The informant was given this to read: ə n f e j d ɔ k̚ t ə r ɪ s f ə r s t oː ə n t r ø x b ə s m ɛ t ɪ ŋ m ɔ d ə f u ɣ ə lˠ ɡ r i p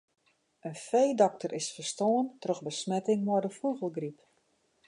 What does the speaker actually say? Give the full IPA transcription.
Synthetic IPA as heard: ə n f e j d ɔ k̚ t ə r ɪ s f ə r s t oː ə n t r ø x b ə s m ɛ t ɪ ŋ m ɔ d ə f u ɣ ə lˠ ɡ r i p